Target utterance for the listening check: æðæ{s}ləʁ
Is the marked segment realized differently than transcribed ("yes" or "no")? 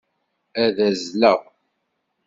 yes